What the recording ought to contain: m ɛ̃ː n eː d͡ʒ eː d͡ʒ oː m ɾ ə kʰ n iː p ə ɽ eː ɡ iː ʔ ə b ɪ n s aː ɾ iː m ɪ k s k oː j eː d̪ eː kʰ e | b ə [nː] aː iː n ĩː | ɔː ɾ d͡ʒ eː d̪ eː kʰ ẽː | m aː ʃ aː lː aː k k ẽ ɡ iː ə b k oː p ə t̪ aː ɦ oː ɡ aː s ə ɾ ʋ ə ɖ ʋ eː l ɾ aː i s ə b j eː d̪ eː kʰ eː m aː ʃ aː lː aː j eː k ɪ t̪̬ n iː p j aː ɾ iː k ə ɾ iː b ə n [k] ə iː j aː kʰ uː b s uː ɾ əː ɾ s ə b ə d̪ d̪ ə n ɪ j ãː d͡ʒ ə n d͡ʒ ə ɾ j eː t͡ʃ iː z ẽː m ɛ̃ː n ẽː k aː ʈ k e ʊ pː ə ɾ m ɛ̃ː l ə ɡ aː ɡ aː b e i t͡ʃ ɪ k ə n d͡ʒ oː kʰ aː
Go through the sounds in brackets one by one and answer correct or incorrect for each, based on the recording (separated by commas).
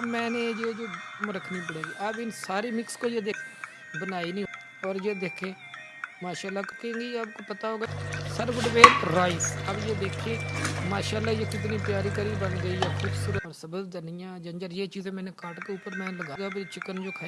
incorrect, incorrect